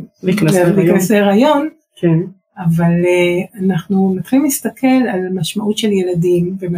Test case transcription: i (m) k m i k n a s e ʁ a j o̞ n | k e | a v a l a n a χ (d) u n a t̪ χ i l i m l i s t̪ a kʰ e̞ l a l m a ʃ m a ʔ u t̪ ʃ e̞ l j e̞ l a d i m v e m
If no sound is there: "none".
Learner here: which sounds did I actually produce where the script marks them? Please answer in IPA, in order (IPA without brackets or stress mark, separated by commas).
none, n